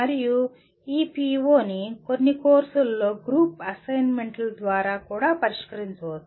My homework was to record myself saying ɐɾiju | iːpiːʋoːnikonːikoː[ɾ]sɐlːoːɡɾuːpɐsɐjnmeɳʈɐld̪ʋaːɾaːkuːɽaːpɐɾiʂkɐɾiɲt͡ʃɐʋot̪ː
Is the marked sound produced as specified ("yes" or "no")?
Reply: yes